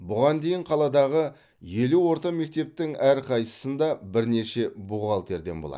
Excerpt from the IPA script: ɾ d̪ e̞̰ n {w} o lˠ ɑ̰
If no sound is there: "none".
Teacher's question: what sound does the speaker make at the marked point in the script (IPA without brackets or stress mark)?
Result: b